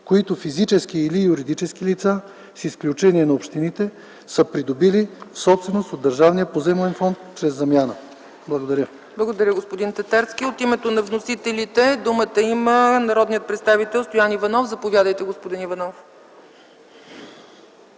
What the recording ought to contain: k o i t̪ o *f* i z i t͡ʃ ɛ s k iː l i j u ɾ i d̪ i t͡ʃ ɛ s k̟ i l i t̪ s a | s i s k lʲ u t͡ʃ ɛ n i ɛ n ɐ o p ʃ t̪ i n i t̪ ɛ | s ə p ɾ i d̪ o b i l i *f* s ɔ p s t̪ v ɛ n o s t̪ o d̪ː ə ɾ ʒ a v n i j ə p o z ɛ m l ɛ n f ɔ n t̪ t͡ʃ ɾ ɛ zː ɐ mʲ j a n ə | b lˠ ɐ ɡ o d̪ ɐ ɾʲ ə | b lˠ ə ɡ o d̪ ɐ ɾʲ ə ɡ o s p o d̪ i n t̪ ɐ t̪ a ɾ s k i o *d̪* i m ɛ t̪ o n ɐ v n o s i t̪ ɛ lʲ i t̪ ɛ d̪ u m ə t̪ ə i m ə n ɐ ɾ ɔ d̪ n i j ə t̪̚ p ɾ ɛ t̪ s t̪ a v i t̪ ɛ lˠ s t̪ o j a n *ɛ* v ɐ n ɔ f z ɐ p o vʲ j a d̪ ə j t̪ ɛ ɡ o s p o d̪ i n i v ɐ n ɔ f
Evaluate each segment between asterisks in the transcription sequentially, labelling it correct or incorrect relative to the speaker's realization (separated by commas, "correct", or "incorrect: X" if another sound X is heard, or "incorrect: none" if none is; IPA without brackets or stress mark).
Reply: correct, correct, incorrect: t̪, incorrect: i